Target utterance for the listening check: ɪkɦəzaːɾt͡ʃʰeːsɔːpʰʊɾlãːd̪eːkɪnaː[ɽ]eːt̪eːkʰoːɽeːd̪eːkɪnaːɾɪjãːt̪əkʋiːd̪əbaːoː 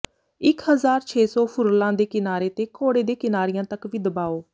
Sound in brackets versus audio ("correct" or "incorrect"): incorrect